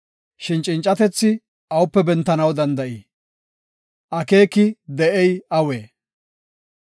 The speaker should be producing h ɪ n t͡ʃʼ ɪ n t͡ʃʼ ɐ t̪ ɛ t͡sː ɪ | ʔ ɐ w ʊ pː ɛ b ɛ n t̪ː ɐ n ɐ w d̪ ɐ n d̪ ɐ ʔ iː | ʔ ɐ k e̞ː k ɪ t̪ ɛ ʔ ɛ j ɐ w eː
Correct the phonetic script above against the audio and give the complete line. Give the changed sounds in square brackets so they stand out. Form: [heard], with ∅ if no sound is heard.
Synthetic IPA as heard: [ʃ] ɪ n t͡ʃʼ ɪ n t͡ʃʼ ɐ t̪ ɛ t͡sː ɪ | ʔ ɐ w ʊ pː ɛ b ɛ n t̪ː ɐ n ɐ w d̪ ɐ n d̪ ɐ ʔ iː | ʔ ɐ k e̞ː k ɪ [d̪] ɛ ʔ ɛ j ɐ w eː

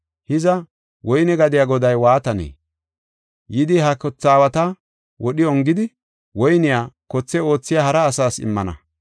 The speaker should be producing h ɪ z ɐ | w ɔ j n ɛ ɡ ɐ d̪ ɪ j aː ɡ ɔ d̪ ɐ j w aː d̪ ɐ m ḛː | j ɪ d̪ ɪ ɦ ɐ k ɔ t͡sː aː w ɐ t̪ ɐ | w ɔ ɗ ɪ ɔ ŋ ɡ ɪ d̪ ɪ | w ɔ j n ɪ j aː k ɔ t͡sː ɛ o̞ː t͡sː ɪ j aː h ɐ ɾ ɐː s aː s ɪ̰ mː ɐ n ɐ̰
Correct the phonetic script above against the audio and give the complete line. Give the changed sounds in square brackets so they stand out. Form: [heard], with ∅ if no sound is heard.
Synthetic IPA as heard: h ɪ z ɐ | w ɔ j n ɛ ɡ ɐ d̪ ɪ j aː ɡ ɔ d̪ ɐ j w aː [t̪] ɐ [n] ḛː | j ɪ d̪ ɪ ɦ ɐ k ɔ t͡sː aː w ɐ t̪ ɐ | w ɔ ɗ ɪ ɔ ŋ ɡ ɪ d̪ ɪ | w ɔ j n ɪ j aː k ɔ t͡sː ɛ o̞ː t͡sː ɪ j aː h ɐ ɾ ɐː s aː s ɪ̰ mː ɐ n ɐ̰

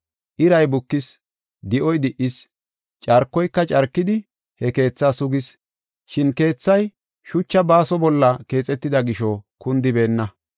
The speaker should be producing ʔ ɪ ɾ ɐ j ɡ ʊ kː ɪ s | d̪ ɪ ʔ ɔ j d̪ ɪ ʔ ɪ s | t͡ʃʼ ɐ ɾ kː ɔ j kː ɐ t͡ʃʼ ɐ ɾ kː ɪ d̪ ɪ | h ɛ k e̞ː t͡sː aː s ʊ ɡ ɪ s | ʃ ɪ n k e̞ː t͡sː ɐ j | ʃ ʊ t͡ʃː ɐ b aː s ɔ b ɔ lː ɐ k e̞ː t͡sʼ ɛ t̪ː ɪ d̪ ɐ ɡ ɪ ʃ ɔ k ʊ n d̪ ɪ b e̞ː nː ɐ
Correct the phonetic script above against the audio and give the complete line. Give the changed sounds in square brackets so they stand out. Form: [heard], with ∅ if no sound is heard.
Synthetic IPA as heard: ʔ ɪ ɾ ɐ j [b] ʊ kː ɪ s | d̪ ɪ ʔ ɔ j d̪ ɪ ʔ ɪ s | t͡ʃʼ ɐ ɾ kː ɔ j kː ɐ t͡ʃʼ ɐ ɾ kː ɪ d̪ ɪ | h ɛ k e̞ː t͡sː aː s ʊ ɡ ɪ s | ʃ ɪ n k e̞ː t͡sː ɐ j | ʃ ʊ t͡ʃː ɐ b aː s ɔ b ɔ lː ɐ k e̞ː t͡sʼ ɛ t̪ː ɪ d̪ ɐ ɡ ɪ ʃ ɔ k ʊ n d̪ ɪ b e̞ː nː ɐ

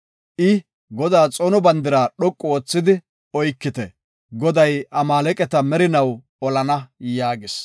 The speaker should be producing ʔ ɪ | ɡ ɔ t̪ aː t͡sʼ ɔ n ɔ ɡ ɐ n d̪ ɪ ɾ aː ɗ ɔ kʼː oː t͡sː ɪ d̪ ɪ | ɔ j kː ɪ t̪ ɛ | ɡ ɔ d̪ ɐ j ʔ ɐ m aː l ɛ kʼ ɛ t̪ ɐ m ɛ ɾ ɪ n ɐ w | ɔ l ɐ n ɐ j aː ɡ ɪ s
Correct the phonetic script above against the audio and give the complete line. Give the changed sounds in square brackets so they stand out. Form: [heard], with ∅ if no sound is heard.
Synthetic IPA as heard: ʔ ɪ | ɡ ɔ [d̪] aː t͡sʼ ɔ n ɔ [b] ɐ n d̪ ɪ ɾ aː ɗ ɔ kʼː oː t͡sː ɪ d̪ ɪ | ɔ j kː ɪ t̪ ɛ | ɡ ɔ d̪ ɐ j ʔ ɐ m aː l ɛ kʼ ɛ t̪ ɐ m ɛ ɾ ɪ n ɐ w | ɔ l ɐ n ɐ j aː ɡ ɪ s

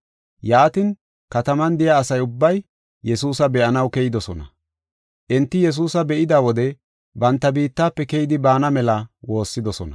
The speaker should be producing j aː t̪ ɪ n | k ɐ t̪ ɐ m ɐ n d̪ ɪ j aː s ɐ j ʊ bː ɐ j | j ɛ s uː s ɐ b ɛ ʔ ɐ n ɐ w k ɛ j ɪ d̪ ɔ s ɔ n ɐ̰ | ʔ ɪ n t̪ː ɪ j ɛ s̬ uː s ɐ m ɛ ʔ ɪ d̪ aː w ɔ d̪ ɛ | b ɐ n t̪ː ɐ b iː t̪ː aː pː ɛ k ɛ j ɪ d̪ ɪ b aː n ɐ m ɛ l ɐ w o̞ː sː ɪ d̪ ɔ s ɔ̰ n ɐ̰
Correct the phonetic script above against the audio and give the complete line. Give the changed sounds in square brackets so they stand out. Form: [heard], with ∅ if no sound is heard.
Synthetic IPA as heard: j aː t̪ ɪ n | k ɐ t̪ ɐ m ɐ n d̪ ɪ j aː s ɐ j ʊ bː ɐ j | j ɛ s uː s ɐ b ɛ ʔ ɐ n ɐ w k ɛ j ɪ d̪ ɔ s ɔ n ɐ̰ | ʔ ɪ n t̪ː ɪ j ɛ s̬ uː s ɐ [b] ɛ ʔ ɪ d̪ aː w ɔ d̪ ɛ | b ɐ n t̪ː ɐ b iː t̪ː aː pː ɛ k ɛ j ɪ d̪ ɪ b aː n ɐ m ɛ l ɐ w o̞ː sː ɪ d̪ ɔ s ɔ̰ n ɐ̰

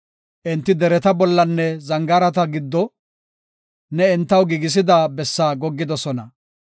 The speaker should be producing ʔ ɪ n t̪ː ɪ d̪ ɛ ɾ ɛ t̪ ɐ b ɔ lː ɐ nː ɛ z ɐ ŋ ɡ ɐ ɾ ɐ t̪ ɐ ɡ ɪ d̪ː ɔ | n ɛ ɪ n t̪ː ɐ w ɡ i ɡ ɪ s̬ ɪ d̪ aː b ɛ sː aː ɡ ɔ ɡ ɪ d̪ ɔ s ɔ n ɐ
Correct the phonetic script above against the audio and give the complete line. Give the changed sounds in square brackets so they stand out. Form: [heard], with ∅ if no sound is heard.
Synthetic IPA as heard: ʔ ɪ n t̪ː ɪ d̪ ɛ ɾ ɛ t̪ ɐ b ɔ lː ɐ nː ɛ z ɐ ŋ ɡ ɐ ɾ ɐ t̪ ɐ ɡ ɪ d̪ː ɔ | n ɛ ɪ n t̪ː ɐ w ɡ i ɡ ɪ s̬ ɪ d̪ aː b ɛ sː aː ɡ ɔ [ɡː] ɪ d̪ ɔ s ɔ n ɐ

